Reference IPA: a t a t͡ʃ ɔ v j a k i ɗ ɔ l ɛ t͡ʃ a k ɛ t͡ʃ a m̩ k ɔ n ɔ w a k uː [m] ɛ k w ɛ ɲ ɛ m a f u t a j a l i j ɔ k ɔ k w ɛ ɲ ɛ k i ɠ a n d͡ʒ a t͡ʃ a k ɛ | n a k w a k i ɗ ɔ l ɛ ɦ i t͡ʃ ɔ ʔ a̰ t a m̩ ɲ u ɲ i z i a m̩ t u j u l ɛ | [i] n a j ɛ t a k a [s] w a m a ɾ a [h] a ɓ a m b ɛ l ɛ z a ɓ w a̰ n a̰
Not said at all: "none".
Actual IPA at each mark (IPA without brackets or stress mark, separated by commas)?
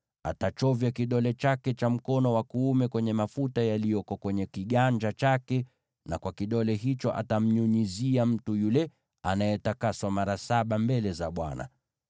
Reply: m, a, s, s